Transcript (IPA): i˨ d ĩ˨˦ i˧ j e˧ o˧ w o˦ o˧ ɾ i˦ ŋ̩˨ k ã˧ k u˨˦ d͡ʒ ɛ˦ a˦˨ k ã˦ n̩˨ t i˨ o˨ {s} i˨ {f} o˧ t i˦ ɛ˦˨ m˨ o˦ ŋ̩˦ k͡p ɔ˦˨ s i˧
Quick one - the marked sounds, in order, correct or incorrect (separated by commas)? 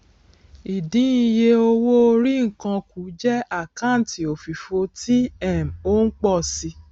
incorrect, correct